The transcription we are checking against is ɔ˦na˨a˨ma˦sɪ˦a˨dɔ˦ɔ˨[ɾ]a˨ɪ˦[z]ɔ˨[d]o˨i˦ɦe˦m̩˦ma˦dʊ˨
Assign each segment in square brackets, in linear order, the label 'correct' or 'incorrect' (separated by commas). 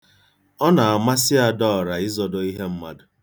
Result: correct, correct, correct